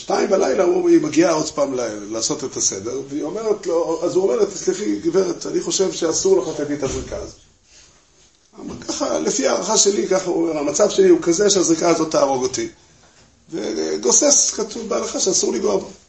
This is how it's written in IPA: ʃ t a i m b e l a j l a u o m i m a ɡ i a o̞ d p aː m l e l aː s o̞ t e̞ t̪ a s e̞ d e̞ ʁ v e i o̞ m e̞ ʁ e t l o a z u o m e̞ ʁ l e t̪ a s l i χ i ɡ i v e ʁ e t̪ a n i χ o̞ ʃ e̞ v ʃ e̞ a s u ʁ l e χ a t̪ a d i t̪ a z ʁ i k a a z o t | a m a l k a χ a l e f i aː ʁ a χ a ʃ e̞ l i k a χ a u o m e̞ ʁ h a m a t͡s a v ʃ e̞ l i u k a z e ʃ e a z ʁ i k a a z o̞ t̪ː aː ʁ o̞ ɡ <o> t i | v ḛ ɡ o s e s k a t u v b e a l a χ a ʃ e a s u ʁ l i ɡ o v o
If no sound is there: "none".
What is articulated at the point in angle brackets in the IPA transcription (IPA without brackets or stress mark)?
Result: o